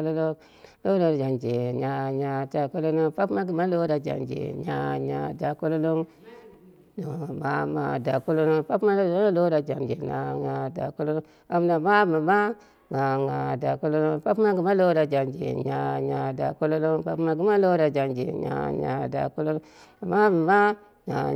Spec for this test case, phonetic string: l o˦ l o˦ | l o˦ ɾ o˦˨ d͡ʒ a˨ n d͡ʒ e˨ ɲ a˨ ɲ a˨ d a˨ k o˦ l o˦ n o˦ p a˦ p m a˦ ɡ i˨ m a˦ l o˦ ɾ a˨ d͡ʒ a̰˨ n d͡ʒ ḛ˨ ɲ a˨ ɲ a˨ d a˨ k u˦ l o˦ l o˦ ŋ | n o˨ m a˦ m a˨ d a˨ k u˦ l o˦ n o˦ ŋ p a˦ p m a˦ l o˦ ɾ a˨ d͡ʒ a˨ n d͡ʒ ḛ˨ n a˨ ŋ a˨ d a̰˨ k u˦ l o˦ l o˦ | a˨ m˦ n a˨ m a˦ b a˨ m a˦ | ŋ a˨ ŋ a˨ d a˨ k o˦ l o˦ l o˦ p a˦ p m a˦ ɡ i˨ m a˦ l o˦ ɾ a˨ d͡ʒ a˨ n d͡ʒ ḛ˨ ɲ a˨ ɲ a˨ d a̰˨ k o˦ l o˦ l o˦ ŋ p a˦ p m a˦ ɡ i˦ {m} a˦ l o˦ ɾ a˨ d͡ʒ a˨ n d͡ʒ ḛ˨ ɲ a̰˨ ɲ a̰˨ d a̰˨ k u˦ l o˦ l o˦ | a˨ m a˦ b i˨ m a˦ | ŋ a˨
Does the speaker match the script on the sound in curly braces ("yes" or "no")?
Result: yes